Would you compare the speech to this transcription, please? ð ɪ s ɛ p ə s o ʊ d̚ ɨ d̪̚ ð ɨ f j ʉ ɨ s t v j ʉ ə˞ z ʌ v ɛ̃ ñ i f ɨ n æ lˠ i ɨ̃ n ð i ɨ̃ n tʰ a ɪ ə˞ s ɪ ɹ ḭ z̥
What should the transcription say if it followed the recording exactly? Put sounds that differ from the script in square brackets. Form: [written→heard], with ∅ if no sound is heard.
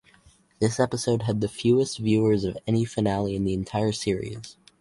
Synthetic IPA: ð ɪ s ɛ p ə s o ʊ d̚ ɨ d̪̚ ð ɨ f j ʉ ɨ s t v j ʉ ə˞ z ʌ v [ɛ̃→ɛ] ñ i f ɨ n æ lˠ i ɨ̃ n ð i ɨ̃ n tʰ a ɪ ə˞ s ɪ ɹ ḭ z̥